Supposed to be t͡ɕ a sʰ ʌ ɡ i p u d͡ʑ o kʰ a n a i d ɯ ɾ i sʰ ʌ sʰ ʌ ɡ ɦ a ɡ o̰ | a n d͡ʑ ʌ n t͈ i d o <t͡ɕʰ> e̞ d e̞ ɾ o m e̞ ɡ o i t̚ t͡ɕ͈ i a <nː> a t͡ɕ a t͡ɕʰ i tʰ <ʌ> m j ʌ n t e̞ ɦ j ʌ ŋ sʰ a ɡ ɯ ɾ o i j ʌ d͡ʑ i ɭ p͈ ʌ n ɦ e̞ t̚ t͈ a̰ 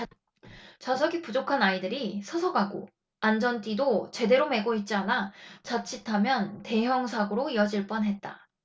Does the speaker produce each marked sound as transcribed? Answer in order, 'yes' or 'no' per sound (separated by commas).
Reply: no, no, no